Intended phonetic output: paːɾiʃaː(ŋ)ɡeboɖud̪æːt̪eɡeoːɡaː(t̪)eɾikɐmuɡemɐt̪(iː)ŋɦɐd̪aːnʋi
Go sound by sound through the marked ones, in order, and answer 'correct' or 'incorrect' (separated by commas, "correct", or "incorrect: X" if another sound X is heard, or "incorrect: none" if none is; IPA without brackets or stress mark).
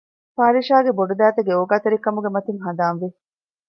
incorrect: none, correct, incorrect: i